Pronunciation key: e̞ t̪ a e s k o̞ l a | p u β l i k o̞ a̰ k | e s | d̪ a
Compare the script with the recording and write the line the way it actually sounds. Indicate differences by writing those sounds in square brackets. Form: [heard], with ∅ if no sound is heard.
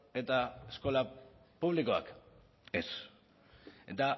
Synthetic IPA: e̞ t̪ a e s k o̞ l a | p u β l i k o̞ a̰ k | e s | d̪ a

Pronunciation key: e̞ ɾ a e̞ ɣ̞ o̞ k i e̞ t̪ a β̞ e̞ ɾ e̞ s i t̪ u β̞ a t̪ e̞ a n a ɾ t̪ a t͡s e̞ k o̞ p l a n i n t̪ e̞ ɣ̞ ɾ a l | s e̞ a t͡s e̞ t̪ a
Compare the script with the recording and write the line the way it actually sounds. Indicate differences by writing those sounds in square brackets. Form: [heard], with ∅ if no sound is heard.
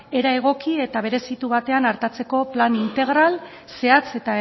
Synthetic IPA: e̞ ɾ a e̞ ɣ̞ o̞ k i e̞ t̪ a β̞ e̞ ɾ e̞ s i t̪ u β̞ a t̪ e̞ a n a ɾ t̪ a t͡s e̞ k o̞ p l a n i n t̪ e̞ ɣ̞ ɾ a l | s e̞ a t͡s e̞ t̪ a

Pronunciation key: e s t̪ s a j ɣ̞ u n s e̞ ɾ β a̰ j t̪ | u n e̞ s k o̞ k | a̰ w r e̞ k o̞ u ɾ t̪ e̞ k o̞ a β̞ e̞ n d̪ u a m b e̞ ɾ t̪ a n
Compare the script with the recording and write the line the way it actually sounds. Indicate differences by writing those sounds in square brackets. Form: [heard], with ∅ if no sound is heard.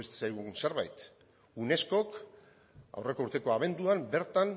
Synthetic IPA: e s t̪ s a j ɣ̞ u n s e̞ ɾ β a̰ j t̪ | u n e̞ s k o̞ k | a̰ w r e̞ k o̞ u ɾ t̪ e̞ k o̞ a β̞ e̞ n d̪ u a m b e̞ ɾ t̪ a n

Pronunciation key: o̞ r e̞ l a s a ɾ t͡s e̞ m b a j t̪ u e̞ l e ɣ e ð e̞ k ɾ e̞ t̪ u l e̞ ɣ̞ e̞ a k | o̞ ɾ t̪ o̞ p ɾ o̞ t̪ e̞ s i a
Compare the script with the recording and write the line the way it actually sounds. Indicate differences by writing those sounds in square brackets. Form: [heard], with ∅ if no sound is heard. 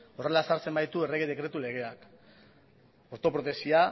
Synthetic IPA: o̞ r e̞ l a s a ɾ t͡s e̞ m b a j t̪ u e̞ [r] e ɣ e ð e̞ k ɾ e̞ t̪ u l e̞ ɣ̞ e̞ a k | o̞ ɾ t̪ o̞ p ɾ o̞ t̪ e̞ s i a

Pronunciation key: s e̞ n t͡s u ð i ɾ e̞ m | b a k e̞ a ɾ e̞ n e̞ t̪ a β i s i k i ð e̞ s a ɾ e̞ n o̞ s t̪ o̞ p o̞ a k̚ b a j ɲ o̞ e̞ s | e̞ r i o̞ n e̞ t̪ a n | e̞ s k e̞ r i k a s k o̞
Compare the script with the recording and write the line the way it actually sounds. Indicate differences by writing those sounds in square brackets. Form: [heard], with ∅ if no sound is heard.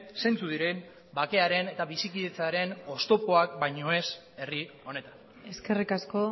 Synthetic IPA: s e̞ n t͡s u ð i ɾ e̞ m | b a k e̞ a ɾ e̞ n e̞ t̪ a β i s i k i ð e̞ [t͡s] a ɾ e̞ n o̞ s t̪ o̞ p o̞ a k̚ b a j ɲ o̞ e̞ s | e̞ r i o̞ n e̞ t̪ a n | e̞ s k e̞ r i k a s k o̞

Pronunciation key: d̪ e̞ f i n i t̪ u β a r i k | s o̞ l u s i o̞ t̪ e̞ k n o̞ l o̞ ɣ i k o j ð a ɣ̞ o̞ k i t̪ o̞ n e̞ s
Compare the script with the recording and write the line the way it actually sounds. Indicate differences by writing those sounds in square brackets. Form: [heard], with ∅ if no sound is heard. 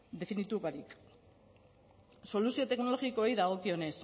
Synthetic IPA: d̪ e̞ f i n i t̪ u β a [ɾ] i k | s o̞ l u s i o̞ t̪ e̞ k n o̞ l o̞ ɣ i k o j ð a ɣ̞ o̞ k i [∅] o̞ n e̞ s

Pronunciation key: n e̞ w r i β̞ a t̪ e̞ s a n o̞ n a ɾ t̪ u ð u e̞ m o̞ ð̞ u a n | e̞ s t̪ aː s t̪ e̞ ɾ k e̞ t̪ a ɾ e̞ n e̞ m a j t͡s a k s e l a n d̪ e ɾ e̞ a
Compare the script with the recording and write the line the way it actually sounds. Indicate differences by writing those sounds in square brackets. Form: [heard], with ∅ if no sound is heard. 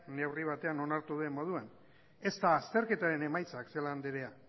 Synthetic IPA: n e̞ w r i β̞ a t̪ e̞ [∅] a n o̞ n a ɾ t̪ u ð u e̞ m o̞ ð̞ u a n | e̞ s t̪ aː s t̪ e̞ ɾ k e̞ t̪ a ɾ e̞ n e̞ m a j t͡s a k s e l a n d̪ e ɾ e̞ a

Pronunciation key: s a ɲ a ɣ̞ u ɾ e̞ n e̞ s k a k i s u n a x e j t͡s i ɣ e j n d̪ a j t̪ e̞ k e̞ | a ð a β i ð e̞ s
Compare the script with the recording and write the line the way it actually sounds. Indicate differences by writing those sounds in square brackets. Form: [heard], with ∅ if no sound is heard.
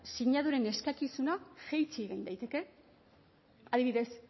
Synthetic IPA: s [i] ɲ a [ð̞] u ɾ e̞ n e̞ s k a k i s u n a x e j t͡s i ɣ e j n d̪ a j t̪ e̞ k e̞ | a ð [i] β i ð e̞ s

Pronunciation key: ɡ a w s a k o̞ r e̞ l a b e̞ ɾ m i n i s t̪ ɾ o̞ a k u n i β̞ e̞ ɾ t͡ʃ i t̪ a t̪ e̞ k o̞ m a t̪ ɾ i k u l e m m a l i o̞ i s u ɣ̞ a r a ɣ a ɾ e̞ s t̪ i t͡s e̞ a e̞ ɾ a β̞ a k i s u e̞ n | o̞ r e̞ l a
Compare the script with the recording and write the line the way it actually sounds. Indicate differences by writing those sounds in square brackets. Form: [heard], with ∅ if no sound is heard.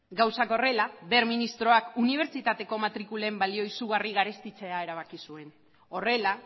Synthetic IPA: ɡ a w s a k o̞ r e̞ l a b e̞ ɾ m i n i s t̪ ɾ o̞ a k u n i β̞ e̞ ɾ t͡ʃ i t̪ a t̪ e̞ k o̞ m a t̪ ɾ i k u l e m [b] a l i o̞ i s u ɣ̞ a r [i] ɣ a ɾ e̞ s t̪ i t͡s e̞ a e̞ ɾ a β̞ a k i s u e̞ n | o̞ r e̞ l a

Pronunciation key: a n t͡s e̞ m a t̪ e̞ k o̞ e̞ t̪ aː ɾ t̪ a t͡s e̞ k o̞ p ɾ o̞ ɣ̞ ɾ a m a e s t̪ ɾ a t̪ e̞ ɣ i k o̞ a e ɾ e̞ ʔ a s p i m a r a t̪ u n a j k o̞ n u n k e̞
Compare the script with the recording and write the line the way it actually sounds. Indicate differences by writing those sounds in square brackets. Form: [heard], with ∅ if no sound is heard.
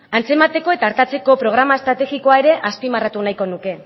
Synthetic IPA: a n t͡s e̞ m a t̪ e̞ k o̞ e̞ t̪ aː ɾ t̪ a t͡s e̞ k o̞ p ɾ o̞ ɣ̞ ɾ a m a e s t̪ ɾ a t̪ e̞ ɣ i k o̞ a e ɾ e̞ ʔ a s p i m a r a t̪ u n a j k o̞ n u [∅] k e̞

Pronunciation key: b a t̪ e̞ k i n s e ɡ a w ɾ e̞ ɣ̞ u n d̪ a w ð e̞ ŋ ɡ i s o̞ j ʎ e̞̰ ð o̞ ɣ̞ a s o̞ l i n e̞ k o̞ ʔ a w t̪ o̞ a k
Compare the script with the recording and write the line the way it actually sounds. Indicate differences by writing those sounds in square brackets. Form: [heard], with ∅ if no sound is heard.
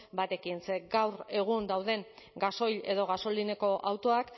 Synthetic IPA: b a t̪ e̞ k i n s e ɡ a w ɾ e̞ ɣ̞ u n d̪ a w ð e̞ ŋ ɡ [a] s o̞ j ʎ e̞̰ ð o̞ ɣ̞ a s o̞ l i n e̞ k o̞ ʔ a w t̪ o̞ a k

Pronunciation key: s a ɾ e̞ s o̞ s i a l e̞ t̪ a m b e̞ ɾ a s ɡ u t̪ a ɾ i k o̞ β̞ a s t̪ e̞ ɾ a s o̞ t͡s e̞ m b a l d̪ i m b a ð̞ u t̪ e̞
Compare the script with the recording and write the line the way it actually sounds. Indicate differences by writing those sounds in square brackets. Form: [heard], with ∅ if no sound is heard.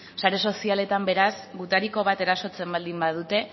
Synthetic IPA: s a ɾ e̞ s o̞ s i a l e̞ t̪ a m b e̞ ɾ a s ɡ u t̪ a ɾ i k o̞ β̞ a [∅] t̪ e̞ ɾ a s o̞ t͡s e̞ m b a l d̪ i m b a ð̞ u t̪ e̞

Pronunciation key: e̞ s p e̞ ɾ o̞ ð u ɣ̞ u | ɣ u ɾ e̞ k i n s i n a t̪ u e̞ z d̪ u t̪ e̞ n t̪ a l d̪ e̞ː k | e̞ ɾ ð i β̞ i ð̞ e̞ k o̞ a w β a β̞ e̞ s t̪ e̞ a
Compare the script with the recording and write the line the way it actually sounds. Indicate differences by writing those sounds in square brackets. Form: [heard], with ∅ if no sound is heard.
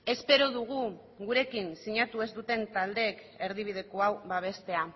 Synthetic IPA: e̞ s p e̞ ɾ o̞ ð u ɣ̞ u | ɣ u ɾ e̞ k i n s i [ɲ] a t̪ u e̞ z d̪ u t̪ e̞ n t̪ a l d̪ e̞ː k | e̞ ɾ ð i β̞ i ð̞ e̞ k o̞ a w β a β̞ e̞ s t̪ e̞ a

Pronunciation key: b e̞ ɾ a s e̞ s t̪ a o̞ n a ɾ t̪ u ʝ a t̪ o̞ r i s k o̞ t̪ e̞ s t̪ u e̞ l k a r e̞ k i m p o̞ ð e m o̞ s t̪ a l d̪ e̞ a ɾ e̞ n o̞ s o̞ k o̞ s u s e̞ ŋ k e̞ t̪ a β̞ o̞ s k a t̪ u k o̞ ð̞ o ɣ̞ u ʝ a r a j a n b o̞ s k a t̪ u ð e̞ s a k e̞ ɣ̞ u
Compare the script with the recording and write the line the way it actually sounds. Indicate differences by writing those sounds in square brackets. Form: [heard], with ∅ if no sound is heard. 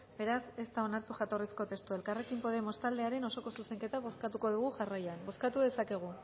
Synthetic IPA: b e̞ ɾ a s e̞ s t̪ a o̞ n a ɾ t̪ u ʝ a t̪ o̞ r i s k o̞ t̪ e̞ s t̪ u e̞ l k a r e̞ k i m p o̞ ð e m o̞ s t̪ a l d̪ e̞ a ɾ e̞ n o̞ s o̞ k o̞ s u s e̞ ŋ k e̞ t̪ a β̞ o̞ s k a t̪ u k o̞ ð̞ [u] ɣ̞ u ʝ a r a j a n b o̞ s k a t̪ u ð e̞ s a k e̞ ɣ̞ u

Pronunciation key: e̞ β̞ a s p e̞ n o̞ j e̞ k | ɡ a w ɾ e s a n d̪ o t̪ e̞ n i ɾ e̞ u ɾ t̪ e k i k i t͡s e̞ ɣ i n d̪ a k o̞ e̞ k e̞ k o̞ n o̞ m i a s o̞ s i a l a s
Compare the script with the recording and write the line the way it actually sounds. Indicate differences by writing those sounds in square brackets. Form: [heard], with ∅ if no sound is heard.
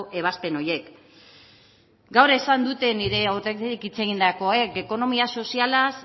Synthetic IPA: e̞ β̞ a s p e̞ n o̞ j e̞ k | ɡ a w ɾ e s a n d̪ [u] t̪ e̞ n i ɾ e̞ [o] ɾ t̪ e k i k i t͡s e̞ ɣ i n d̪ a k o̞ e̞ k e̞ k o̞ n o̞ m i a s o̞ s i a l a s

